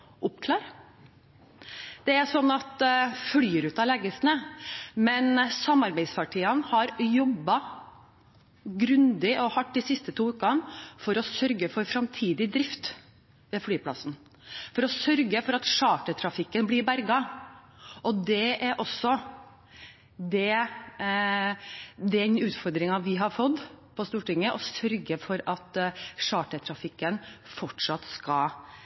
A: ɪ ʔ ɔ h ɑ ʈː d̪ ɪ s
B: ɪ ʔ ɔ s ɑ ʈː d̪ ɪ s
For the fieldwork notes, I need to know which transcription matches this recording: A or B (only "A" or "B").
A